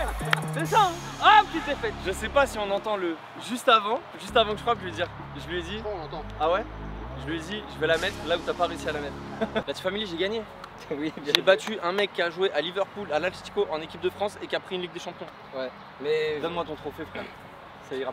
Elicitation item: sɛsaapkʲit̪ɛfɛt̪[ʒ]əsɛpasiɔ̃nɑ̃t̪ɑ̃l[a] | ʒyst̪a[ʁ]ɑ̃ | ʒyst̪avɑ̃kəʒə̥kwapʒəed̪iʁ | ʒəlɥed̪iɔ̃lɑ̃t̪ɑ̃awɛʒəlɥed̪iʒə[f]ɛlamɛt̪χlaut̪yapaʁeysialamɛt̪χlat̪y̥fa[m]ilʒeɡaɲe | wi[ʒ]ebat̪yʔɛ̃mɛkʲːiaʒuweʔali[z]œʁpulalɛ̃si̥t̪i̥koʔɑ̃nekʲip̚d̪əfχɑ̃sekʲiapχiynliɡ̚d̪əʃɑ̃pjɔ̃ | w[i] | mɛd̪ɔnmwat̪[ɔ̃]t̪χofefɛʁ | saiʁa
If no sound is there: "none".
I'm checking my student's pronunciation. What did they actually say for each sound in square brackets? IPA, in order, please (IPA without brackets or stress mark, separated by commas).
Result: ʒ, ə, v, v, m, ʒ, v, ɛ, ɔ̃